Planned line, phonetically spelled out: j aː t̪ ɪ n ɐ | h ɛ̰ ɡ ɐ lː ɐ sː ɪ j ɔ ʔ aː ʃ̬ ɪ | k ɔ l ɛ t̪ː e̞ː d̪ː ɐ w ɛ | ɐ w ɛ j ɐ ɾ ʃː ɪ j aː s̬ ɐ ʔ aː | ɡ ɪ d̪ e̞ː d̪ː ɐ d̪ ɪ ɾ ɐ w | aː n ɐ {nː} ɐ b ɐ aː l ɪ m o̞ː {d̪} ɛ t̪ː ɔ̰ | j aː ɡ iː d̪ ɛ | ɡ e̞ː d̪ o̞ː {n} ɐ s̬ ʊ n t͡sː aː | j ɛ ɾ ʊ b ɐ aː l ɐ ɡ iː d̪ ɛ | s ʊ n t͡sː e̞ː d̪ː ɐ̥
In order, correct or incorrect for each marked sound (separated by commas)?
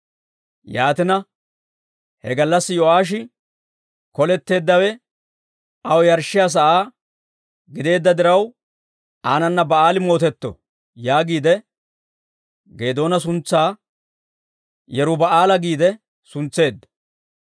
correct, incorrect, correct